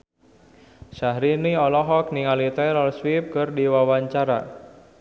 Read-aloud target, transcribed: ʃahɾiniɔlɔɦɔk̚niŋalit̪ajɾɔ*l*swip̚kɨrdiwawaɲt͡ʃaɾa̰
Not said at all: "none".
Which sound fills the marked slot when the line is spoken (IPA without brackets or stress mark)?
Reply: l